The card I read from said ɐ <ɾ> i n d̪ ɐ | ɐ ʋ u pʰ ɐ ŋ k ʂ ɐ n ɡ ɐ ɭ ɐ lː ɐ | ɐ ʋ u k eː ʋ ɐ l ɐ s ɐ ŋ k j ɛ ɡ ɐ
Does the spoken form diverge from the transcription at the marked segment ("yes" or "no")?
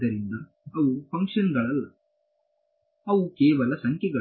no